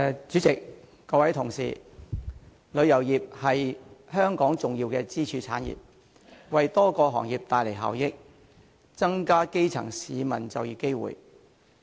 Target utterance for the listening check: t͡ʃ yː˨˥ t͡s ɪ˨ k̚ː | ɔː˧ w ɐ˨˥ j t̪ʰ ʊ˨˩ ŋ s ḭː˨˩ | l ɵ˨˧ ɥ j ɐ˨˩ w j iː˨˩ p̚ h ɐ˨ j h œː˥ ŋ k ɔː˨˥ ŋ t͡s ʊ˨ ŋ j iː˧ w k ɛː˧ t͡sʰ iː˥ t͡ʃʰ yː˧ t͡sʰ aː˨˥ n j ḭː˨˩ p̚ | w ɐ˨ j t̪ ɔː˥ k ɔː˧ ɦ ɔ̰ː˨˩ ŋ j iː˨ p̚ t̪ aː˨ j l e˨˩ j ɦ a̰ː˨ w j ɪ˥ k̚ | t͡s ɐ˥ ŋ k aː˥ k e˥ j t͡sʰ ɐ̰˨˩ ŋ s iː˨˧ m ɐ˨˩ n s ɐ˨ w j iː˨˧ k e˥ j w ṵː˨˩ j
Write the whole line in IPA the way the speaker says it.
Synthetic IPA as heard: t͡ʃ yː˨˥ t͡s ɪ˨ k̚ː | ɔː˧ w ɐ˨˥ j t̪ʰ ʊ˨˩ ŋ s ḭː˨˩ | l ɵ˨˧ ɥ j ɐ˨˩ w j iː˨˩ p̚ h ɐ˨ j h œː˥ ŋ k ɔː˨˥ ŋ t͡s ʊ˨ ŋ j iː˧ w k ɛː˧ t͡s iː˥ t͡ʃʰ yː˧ t͡sʰ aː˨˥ n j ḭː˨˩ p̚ | w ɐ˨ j t̪ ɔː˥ k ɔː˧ ɦ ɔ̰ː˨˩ ŋ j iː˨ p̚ t̪ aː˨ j l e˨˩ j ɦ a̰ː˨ w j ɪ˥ k̚ | t͡s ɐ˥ ŋ k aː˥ k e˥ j t͡sʰ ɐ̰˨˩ ŋ s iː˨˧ m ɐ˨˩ n t͡s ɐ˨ w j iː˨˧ k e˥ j w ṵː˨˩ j